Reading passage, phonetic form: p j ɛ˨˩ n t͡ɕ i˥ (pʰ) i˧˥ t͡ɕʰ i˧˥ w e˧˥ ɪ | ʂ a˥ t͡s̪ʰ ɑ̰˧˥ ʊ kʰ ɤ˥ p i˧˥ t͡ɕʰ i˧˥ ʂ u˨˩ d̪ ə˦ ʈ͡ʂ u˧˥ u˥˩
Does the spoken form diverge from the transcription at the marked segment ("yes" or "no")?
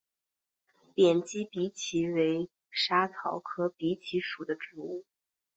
yes